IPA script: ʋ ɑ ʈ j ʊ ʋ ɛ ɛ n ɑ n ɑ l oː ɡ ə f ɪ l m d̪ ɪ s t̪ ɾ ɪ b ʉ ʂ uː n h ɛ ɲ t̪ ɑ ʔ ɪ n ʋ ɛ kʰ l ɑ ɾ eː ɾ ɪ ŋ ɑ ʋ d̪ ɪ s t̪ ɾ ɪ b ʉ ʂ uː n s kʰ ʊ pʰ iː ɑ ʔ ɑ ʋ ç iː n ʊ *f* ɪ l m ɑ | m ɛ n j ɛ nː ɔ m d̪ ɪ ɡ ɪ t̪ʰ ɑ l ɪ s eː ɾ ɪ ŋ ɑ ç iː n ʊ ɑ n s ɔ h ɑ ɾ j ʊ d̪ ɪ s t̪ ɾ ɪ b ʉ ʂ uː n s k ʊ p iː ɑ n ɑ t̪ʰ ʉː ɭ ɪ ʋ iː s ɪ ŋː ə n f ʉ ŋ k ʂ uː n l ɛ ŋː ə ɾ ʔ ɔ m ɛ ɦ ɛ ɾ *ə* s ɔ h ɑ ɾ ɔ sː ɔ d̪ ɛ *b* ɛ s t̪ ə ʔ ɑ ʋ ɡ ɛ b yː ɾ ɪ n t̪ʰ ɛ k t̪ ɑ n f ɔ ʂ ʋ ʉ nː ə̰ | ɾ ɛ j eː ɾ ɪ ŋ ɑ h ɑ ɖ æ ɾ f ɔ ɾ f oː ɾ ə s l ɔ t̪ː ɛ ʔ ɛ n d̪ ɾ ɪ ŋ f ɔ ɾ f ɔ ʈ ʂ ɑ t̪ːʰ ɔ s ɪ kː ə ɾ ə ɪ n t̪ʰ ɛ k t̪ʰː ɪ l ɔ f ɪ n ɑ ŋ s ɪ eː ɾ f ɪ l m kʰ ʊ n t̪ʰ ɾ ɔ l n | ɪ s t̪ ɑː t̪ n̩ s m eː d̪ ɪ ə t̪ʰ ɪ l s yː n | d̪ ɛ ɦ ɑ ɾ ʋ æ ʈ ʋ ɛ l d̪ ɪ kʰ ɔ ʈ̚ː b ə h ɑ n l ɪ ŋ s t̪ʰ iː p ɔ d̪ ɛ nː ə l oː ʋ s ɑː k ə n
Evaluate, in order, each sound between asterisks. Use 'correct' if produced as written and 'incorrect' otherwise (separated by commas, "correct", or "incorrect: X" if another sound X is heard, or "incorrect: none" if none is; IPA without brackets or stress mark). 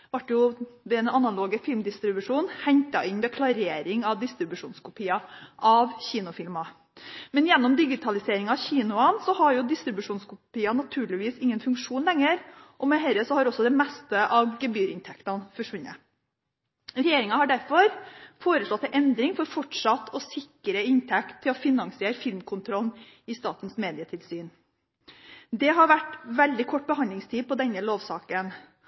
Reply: correct, correct, incorrect: m